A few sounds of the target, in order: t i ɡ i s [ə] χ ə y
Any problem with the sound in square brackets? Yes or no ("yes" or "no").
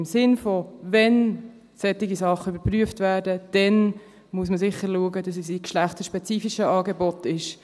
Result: yes